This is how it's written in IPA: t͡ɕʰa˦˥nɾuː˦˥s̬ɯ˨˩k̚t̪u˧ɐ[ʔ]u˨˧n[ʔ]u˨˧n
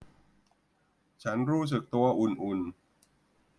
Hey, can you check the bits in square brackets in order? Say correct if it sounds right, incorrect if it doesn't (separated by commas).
correct, correct